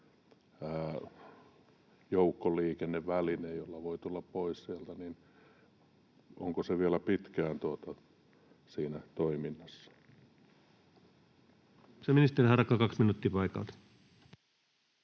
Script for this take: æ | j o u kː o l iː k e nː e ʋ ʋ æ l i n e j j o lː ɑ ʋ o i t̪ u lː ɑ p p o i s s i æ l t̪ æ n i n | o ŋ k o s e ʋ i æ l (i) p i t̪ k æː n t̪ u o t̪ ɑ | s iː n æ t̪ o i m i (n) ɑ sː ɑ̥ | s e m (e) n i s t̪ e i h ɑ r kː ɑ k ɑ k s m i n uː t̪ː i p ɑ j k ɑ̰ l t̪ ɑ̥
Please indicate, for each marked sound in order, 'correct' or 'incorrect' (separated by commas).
incorrect, incorrect, incorrect